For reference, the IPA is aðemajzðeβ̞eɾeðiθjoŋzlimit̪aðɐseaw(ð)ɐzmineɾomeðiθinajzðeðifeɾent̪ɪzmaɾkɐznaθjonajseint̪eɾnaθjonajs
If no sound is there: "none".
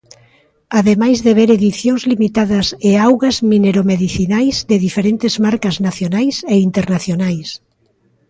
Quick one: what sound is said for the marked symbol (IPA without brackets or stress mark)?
ɣ